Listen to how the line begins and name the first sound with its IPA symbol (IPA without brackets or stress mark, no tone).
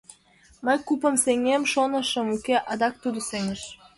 m